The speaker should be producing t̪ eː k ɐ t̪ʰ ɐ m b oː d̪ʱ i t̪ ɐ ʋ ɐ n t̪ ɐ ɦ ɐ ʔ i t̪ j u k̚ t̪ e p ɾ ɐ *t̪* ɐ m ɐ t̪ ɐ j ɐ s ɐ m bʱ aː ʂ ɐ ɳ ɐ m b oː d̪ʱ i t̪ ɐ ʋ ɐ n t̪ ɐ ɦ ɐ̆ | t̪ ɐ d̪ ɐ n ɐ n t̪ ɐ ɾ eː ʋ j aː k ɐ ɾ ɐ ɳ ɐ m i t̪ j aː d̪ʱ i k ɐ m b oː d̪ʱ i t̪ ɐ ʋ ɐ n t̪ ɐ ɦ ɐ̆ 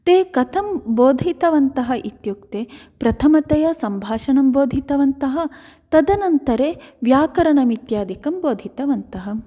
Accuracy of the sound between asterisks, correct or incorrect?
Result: incorrect: t̪ʰ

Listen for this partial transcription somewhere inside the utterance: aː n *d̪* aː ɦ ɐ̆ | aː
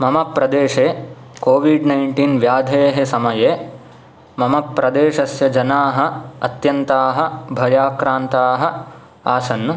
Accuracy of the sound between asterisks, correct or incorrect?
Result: incorrect: t̪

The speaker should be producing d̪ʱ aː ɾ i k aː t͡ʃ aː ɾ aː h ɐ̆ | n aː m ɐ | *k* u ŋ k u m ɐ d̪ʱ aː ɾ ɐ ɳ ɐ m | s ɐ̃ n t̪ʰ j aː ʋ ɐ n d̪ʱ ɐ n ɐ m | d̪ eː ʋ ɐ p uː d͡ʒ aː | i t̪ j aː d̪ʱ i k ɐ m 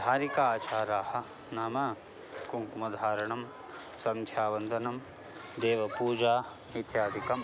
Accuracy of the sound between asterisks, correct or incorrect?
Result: correct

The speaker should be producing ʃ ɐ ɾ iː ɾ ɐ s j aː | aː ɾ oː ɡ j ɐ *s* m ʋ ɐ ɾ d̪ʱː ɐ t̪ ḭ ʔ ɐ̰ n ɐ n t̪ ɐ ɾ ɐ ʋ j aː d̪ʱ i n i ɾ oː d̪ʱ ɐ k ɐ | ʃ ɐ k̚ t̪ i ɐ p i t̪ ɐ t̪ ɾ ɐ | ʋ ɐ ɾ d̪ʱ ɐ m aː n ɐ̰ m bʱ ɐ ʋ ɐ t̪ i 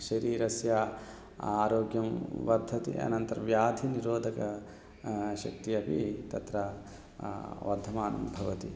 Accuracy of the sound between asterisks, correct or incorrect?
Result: incorrect: none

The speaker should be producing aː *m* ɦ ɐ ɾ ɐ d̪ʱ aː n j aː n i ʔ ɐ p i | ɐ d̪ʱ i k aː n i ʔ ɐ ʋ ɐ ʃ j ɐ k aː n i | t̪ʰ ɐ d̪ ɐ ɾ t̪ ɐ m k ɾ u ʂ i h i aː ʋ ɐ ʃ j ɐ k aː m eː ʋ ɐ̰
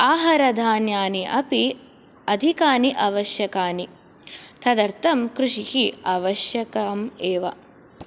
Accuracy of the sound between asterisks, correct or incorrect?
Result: incorrect: none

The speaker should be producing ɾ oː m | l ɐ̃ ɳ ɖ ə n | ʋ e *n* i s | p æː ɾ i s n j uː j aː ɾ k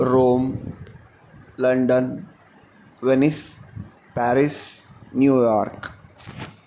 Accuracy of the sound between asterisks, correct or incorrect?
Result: correct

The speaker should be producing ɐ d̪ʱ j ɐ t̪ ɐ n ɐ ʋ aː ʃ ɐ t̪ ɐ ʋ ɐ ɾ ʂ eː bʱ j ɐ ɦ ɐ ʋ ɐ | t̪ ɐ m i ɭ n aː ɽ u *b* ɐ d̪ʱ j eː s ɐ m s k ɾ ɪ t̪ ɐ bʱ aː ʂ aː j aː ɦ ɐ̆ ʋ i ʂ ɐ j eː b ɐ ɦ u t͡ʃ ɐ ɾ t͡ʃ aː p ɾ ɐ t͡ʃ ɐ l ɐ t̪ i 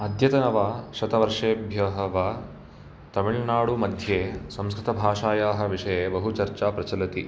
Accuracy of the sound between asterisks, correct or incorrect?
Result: incorrect: m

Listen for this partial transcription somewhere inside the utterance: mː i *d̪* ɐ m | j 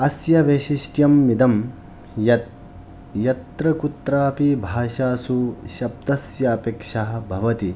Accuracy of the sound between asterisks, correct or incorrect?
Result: correct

